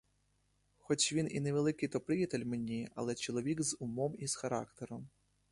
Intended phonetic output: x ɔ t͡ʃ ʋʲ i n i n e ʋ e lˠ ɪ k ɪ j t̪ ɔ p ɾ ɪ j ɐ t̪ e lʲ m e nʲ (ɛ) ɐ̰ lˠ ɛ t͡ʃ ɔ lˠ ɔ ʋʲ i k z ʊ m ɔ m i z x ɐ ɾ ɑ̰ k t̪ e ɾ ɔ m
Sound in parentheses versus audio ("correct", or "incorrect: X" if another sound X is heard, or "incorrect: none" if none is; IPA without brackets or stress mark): incorrect: i